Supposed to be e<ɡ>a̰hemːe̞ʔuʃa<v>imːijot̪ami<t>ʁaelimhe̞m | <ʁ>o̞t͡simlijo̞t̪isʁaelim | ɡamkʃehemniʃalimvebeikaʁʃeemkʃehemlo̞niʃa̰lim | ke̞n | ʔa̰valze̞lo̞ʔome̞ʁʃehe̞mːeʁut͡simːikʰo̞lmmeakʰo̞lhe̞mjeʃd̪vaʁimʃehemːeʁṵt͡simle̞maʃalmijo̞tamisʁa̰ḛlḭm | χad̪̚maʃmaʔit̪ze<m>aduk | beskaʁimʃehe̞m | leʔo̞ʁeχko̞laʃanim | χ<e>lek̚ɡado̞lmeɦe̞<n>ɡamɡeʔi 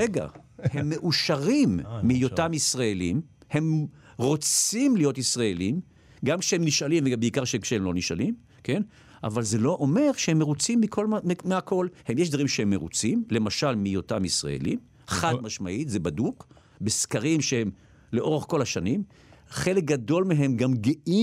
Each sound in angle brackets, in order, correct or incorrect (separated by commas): correct, incorrect, incorrect, correct, incorrect, correct, incorrect